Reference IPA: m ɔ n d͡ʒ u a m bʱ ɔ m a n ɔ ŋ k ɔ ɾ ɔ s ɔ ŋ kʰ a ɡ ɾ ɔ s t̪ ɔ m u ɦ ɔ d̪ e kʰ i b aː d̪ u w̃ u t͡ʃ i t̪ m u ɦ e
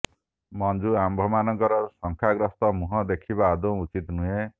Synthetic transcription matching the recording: m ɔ n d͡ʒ u a m bʱ ɔ m a n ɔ ŋ k ɔ ɾ ɔ s ɔ ŋ kʰ a ɡ ɾ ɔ s t̪ ɔ m u ɦ ɔ d̪ e kʰ i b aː d̪ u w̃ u t͡ʃ i t̪ n u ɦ e